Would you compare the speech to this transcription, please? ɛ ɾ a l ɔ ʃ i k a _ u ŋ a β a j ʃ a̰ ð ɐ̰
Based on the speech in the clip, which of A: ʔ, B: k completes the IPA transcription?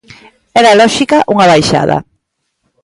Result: A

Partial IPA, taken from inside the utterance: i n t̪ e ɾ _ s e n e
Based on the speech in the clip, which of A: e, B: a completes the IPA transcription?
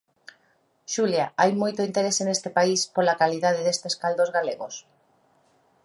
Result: A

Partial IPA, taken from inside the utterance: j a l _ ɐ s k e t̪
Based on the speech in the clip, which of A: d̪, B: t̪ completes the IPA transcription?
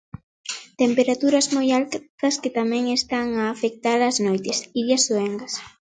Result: B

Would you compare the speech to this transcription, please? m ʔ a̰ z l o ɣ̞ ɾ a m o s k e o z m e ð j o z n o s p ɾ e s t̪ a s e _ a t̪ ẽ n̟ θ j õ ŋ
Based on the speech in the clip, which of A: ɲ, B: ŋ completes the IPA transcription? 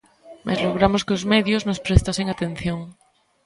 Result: B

